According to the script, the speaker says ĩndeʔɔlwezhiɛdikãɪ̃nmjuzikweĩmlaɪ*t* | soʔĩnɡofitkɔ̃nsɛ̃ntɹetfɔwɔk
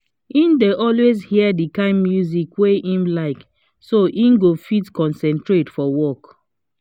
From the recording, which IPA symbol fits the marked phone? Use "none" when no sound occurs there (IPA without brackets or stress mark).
k